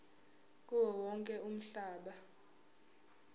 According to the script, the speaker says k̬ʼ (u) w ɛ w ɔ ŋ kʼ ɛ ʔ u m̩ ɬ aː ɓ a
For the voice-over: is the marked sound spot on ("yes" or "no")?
yes